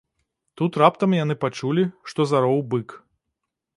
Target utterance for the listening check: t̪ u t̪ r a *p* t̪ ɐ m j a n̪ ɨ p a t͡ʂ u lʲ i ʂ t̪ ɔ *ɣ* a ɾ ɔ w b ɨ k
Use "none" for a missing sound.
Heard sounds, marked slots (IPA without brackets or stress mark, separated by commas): p, z